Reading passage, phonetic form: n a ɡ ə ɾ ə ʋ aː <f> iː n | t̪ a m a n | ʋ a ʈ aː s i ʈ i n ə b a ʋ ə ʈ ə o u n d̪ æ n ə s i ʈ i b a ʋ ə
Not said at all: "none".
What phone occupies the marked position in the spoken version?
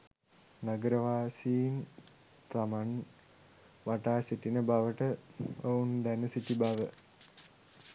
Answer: s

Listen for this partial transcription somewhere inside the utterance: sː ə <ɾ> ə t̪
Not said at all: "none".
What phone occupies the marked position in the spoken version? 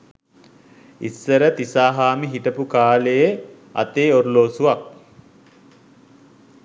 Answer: ɾ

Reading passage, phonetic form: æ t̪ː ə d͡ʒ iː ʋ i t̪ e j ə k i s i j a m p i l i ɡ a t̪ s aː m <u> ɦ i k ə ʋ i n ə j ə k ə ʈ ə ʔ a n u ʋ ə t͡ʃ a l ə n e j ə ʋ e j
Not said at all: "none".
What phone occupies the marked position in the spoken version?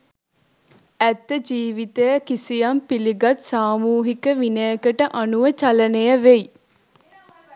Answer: uː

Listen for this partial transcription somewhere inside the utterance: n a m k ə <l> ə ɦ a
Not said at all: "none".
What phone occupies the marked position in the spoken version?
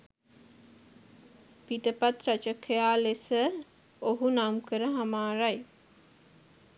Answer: ɾ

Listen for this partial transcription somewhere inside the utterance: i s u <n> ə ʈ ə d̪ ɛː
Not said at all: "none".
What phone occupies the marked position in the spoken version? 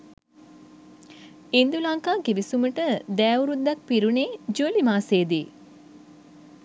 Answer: m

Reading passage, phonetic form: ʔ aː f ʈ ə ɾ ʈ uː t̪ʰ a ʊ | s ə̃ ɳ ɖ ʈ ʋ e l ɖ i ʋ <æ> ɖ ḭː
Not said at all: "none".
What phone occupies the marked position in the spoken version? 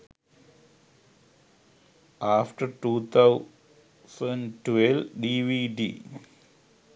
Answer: i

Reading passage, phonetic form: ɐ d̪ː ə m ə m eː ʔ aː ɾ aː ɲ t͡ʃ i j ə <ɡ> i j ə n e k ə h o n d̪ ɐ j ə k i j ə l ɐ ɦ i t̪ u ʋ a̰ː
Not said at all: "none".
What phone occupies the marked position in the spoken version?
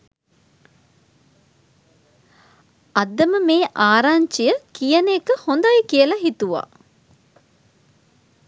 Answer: k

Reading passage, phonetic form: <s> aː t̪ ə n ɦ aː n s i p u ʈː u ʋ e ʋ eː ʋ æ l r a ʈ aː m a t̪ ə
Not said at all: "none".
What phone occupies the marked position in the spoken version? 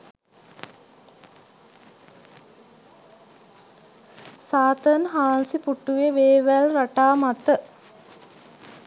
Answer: s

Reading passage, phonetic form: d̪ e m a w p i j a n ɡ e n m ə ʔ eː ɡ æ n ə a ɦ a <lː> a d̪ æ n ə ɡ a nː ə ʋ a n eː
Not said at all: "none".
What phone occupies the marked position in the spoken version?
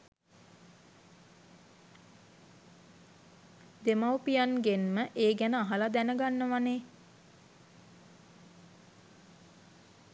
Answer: l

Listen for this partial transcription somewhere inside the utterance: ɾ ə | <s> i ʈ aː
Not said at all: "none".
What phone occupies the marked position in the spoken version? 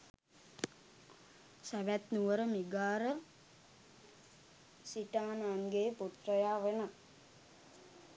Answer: s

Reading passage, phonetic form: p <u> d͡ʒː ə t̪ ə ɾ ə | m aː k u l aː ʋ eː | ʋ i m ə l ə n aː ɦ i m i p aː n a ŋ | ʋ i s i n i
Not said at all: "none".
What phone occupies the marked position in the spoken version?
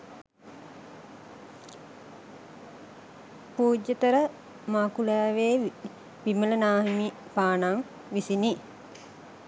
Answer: uː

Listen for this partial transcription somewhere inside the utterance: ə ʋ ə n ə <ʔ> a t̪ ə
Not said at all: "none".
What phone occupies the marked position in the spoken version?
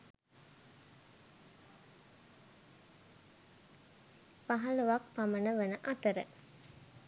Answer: ʔ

